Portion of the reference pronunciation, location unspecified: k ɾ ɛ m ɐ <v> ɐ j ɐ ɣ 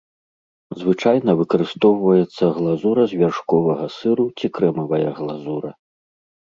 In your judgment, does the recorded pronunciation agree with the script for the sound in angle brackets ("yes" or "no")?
yes